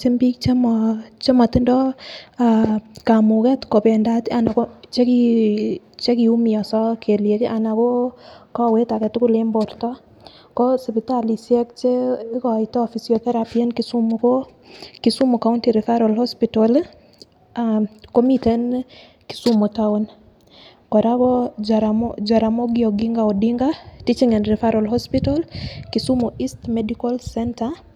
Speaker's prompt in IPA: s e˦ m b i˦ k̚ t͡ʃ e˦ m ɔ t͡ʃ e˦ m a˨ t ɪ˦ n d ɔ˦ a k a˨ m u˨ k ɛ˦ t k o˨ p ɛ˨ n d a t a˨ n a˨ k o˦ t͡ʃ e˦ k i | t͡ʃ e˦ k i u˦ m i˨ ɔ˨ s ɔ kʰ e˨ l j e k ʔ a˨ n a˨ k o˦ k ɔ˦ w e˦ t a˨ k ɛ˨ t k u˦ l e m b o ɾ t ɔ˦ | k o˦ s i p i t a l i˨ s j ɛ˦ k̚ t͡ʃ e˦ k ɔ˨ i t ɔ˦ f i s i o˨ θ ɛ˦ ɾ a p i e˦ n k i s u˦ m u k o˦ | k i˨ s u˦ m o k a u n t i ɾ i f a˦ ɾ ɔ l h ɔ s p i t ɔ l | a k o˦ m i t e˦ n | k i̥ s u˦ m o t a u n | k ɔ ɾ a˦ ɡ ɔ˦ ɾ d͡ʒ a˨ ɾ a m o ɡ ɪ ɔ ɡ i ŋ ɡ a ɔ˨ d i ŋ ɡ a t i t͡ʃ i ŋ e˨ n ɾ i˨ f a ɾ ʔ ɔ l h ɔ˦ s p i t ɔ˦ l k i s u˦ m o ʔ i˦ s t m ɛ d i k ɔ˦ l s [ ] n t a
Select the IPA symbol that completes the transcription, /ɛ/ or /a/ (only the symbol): ɛ